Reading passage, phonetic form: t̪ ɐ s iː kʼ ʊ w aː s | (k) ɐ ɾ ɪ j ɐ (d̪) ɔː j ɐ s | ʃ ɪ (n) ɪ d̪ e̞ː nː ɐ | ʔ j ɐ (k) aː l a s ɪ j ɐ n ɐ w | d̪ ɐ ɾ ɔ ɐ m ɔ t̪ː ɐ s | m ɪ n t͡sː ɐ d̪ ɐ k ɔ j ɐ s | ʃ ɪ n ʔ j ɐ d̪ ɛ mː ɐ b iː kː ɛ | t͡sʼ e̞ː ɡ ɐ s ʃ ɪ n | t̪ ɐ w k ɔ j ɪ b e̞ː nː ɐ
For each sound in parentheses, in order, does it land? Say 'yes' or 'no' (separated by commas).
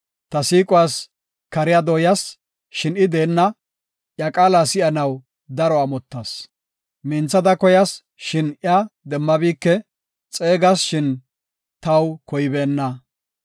yes, yes, yes, no